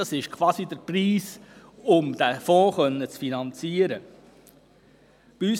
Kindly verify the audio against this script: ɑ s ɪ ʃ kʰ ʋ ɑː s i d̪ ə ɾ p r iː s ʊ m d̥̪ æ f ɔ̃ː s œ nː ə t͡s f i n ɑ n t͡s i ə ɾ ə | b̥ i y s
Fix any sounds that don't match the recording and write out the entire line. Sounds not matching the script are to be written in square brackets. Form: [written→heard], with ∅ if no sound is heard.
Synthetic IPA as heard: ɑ s ɪ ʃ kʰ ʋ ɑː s i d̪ ə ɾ p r iː s ʊ m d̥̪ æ f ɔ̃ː [s→χ] œ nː ə t͡s f i n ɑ n t͡s i ə ɾ ə | b̥ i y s